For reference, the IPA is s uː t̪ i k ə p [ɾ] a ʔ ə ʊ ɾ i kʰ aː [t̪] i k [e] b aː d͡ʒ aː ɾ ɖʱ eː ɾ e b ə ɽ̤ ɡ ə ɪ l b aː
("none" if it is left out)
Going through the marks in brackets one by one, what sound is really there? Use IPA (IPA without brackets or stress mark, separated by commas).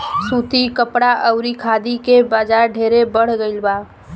ɽ, d̪, e